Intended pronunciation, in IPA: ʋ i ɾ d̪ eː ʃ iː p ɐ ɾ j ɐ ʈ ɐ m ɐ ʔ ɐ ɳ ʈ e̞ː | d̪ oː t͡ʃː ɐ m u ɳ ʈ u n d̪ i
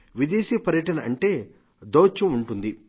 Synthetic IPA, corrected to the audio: ʋ i d̪ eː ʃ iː p ɐ ɾ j ɐ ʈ ɐ n ɐ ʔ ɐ ɳ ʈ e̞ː | d̪ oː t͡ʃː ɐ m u ɳ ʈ u n d̪ i